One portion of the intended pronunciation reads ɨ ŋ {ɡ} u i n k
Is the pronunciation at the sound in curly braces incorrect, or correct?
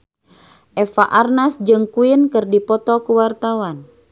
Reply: incorrect